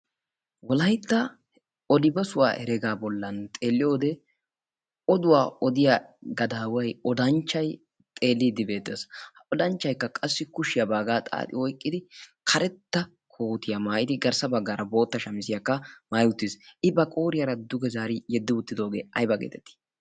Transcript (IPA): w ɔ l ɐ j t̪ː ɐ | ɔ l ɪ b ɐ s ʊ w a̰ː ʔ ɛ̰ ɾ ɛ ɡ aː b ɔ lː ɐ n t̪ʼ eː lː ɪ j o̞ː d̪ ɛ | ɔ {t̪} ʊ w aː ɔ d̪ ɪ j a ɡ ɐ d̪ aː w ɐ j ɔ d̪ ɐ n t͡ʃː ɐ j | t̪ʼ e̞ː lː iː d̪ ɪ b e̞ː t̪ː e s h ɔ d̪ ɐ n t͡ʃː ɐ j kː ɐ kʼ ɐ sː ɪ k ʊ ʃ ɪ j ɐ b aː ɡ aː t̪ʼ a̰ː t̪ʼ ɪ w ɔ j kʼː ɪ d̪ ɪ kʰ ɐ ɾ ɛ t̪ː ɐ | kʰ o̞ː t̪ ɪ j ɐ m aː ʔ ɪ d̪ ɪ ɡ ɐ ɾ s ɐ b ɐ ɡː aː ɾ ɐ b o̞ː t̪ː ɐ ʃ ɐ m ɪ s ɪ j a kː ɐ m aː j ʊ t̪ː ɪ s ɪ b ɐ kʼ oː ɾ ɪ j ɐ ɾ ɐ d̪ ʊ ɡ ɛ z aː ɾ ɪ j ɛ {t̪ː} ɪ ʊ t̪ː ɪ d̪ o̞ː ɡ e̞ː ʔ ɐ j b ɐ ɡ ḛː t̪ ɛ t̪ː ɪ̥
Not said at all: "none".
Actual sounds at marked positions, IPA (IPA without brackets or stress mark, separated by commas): d̪, d̪ː